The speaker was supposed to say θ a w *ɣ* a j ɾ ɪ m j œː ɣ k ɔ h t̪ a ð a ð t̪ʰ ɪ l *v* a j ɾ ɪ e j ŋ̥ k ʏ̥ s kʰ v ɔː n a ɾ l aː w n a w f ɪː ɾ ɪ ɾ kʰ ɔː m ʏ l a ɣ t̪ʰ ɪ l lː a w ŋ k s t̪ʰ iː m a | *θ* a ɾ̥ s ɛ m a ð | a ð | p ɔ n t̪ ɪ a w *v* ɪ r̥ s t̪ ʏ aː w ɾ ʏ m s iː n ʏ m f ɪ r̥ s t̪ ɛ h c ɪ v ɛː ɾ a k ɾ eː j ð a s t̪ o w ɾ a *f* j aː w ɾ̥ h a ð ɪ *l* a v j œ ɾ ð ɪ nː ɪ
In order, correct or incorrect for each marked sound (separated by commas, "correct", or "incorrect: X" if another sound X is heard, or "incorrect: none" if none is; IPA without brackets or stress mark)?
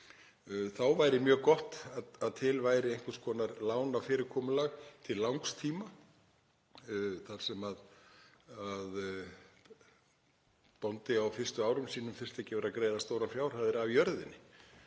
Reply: incorrect: v, correct, correct, incorrect: f, correct, incorrect: ɾ